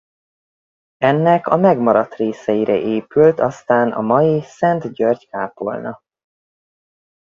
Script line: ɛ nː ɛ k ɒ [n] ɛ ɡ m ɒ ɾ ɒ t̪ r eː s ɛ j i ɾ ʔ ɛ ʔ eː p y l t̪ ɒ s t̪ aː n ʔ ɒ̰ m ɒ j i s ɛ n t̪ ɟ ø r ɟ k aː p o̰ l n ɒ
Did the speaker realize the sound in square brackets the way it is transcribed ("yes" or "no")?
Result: no